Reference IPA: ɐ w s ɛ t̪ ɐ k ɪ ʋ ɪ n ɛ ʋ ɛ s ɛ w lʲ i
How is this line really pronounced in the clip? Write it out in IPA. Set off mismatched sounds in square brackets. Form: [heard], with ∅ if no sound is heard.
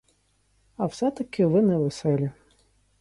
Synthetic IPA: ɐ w s ɛ t̪ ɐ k ɪ ʋ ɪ n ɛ ʋ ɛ s ɛ [∅] lʲ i